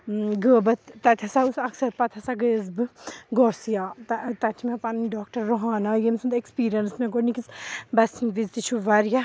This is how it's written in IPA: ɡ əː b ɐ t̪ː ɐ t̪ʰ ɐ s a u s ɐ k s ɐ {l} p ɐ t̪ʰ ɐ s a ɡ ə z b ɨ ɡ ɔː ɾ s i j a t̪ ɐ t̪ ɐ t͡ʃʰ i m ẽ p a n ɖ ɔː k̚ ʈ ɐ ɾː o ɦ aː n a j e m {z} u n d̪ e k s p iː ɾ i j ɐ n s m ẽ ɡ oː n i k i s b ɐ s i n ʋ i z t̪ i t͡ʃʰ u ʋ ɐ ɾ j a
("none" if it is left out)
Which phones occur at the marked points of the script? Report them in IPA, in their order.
ɾ, s

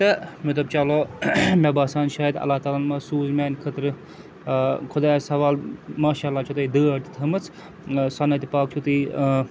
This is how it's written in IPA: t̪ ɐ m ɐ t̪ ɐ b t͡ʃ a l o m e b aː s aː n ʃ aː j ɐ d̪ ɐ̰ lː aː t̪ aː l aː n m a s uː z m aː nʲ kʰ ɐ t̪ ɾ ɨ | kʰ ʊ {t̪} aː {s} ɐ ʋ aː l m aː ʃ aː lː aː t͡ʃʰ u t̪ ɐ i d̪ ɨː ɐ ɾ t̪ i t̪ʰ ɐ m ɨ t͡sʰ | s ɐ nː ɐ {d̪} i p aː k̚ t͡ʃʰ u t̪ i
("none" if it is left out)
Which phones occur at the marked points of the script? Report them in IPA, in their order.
d̪, s, t̪

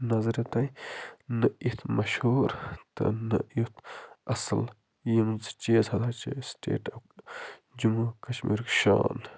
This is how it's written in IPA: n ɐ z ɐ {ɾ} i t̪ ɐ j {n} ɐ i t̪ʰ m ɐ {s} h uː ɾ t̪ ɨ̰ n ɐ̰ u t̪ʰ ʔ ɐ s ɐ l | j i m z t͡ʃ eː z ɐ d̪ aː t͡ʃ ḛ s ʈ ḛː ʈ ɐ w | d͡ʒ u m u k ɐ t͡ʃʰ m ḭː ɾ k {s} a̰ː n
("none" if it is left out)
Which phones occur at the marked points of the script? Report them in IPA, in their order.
ɾ, n, ʃ, ʃ

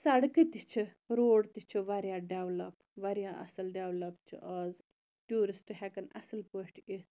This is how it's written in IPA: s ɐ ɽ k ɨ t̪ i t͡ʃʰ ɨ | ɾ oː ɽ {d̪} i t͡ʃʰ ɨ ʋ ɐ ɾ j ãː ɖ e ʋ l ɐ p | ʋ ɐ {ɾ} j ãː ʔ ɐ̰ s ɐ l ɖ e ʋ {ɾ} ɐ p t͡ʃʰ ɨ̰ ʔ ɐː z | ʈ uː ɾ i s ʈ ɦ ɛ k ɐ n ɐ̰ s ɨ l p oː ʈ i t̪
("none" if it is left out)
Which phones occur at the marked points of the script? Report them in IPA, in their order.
t̪, ɾ, l

